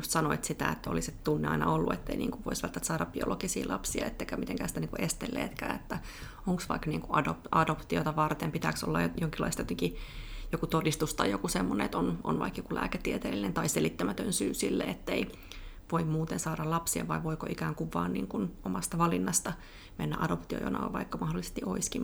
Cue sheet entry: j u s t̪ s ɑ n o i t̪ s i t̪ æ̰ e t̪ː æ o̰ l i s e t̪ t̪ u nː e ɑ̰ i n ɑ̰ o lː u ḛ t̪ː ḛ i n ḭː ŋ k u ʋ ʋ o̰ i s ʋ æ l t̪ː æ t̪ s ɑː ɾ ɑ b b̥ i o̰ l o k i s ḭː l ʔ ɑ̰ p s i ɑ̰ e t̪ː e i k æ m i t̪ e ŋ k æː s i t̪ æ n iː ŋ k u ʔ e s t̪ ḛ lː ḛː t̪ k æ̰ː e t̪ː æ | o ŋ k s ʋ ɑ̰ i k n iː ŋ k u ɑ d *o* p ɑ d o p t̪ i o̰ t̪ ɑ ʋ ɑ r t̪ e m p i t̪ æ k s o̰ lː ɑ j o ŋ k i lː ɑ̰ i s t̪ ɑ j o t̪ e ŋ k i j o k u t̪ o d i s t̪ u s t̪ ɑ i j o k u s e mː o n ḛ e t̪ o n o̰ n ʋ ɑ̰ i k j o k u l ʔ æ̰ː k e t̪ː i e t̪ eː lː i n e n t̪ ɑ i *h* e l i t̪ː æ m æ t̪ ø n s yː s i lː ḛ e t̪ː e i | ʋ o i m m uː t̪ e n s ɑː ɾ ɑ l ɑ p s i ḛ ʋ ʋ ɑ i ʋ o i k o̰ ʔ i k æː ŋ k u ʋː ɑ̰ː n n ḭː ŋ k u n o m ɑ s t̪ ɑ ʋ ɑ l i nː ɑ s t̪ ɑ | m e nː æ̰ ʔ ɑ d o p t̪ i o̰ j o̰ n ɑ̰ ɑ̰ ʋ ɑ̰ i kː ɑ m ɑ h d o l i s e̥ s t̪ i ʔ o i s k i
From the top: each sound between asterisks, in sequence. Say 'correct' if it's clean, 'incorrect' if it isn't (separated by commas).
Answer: correct, incorrect